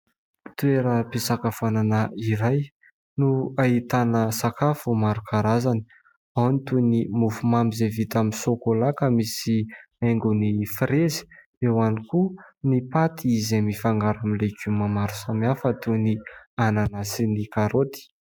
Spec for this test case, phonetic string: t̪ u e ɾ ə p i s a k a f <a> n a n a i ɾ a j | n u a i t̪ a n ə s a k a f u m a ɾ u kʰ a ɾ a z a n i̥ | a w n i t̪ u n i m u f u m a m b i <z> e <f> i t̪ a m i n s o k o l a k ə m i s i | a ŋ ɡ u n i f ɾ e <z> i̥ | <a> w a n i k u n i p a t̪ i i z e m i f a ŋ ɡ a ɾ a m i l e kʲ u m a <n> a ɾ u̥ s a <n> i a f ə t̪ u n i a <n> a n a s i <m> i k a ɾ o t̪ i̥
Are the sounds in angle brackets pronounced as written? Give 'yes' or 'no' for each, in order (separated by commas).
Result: yes, yes, no, yes, no, no, no, yes, no